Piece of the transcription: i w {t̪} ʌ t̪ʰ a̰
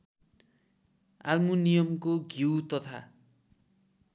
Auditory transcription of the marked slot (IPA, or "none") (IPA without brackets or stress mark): t̪